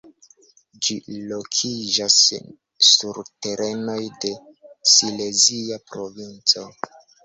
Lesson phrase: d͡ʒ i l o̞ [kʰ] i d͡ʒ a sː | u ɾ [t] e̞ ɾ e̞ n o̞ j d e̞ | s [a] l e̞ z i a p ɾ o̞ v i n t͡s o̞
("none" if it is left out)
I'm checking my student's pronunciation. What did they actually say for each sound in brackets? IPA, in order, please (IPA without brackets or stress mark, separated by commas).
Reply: kʰ, t, i